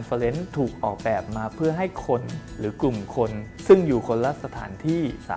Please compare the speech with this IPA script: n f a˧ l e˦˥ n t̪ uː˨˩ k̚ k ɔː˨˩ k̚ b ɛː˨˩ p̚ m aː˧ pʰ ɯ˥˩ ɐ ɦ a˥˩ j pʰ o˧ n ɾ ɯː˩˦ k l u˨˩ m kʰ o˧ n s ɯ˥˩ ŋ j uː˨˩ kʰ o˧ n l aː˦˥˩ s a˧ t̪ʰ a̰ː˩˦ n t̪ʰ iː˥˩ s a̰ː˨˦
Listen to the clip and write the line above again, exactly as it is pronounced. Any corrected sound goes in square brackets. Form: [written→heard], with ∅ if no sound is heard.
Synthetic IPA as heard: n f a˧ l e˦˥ n [t̪→t̪ʰ] uː˨˩ k̚ [k→ʔ] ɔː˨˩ k̚ b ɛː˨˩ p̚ m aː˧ pʰ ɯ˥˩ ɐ ɦ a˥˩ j [pʰ→kʰ] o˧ n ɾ ɯː˩˦ k l u˨˩ m kʰ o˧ n s ɯ˥˩ ŋ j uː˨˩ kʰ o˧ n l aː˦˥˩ s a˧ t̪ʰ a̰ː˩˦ n t̪ʰ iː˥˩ s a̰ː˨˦